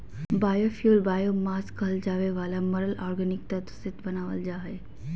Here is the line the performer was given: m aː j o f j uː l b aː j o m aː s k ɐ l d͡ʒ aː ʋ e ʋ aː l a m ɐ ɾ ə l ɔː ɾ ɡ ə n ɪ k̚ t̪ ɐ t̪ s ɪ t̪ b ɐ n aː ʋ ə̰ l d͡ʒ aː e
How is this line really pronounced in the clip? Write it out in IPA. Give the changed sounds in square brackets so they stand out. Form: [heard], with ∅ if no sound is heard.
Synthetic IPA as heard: [b] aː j o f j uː l b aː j o m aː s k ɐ l d͡ʒ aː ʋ e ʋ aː l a m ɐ ɾ ə l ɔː ɾ ɡ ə n ɪ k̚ t̪ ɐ t̪ s ɪ t̪ b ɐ n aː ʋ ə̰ l d͡ʒ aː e